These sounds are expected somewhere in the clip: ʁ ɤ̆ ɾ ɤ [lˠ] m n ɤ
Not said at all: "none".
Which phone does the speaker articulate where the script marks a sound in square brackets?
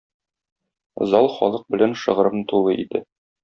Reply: none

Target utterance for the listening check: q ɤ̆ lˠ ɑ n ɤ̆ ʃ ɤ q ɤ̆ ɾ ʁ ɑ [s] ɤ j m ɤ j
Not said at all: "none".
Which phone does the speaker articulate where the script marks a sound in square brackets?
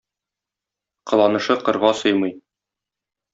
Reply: s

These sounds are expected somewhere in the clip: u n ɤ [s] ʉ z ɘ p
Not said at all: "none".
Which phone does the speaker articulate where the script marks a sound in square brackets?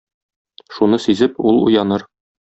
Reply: s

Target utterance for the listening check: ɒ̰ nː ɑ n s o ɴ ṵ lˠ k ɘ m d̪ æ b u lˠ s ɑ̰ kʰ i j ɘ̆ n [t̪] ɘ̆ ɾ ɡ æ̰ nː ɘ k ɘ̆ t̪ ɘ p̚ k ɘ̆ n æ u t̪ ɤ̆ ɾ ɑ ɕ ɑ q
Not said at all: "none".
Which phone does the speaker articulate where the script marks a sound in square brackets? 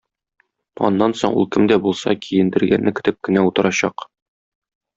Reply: d̪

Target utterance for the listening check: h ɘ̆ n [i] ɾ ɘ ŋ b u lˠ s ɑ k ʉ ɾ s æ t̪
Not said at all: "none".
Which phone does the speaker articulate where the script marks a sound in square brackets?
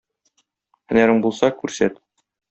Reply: æ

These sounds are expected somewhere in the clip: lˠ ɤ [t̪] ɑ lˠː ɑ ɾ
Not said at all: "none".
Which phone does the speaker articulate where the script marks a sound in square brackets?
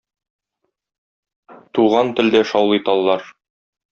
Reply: t̪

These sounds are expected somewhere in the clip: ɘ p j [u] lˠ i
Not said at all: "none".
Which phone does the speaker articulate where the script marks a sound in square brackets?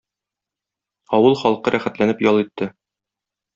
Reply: ɒ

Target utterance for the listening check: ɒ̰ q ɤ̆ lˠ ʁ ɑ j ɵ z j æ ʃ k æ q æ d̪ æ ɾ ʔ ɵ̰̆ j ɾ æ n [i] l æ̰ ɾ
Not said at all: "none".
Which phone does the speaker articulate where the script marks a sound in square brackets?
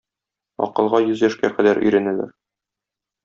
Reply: æ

